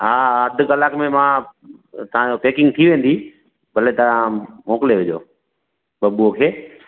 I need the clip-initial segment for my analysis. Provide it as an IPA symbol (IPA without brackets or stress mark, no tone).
ɦ